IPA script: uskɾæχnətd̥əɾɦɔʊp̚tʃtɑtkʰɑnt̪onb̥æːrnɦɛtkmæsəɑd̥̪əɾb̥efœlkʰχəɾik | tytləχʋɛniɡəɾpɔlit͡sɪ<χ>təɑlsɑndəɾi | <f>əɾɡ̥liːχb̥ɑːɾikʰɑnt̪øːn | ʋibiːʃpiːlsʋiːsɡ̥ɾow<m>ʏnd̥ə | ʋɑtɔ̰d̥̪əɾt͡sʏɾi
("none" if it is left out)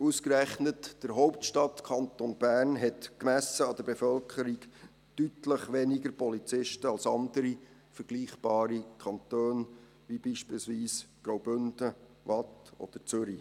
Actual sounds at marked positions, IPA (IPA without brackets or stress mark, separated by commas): ʃ, f, b